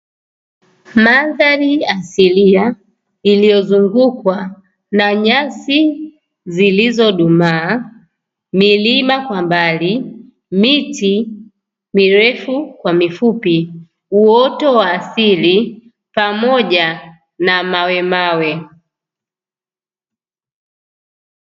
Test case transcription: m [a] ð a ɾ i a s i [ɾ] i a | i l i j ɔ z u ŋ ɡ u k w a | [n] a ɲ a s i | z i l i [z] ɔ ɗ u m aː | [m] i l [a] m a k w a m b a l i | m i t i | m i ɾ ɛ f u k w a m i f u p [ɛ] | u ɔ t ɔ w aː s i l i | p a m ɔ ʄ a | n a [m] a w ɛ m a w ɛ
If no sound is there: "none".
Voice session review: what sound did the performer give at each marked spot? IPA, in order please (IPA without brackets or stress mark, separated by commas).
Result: a, l, n, z, m, i, i, m